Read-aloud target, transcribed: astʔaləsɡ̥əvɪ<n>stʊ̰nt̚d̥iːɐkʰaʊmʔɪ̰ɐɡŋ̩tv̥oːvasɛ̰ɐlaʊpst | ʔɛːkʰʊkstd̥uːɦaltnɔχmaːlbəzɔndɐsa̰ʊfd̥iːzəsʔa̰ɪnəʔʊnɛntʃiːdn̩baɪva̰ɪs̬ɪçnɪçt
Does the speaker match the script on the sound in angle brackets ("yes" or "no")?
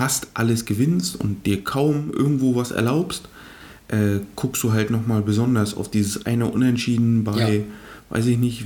yes